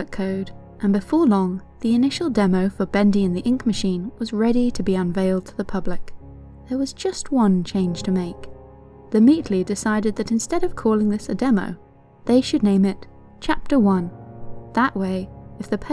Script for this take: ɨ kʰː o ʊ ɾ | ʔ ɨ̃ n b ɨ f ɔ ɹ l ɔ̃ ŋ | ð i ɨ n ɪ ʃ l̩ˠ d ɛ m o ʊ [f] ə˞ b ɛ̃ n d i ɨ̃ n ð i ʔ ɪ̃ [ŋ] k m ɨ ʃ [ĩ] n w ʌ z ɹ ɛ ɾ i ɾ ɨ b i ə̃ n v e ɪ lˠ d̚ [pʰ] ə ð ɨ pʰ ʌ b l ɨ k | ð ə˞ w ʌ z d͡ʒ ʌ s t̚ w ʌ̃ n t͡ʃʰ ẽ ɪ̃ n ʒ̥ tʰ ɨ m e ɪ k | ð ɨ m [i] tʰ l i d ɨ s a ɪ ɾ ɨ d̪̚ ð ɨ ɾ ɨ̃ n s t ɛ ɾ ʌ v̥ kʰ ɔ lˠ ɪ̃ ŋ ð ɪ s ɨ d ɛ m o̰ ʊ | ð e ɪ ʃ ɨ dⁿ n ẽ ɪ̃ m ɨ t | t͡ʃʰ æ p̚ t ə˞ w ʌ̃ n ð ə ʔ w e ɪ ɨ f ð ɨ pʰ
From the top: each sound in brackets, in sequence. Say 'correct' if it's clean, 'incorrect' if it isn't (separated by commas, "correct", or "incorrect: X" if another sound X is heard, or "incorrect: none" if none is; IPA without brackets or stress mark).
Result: correct, correct, correct, incorrect: tʰ, correct